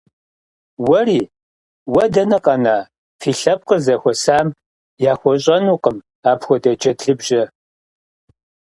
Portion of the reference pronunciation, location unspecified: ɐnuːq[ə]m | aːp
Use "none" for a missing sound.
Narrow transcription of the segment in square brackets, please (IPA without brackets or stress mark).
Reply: ə